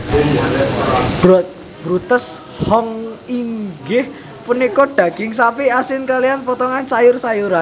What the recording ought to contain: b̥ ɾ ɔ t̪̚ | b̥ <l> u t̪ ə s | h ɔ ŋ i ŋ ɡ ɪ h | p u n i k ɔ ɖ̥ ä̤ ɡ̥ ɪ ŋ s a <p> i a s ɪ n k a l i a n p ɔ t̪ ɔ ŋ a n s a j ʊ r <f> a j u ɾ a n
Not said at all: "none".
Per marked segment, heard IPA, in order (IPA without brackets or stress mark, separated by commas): ɾ, p, s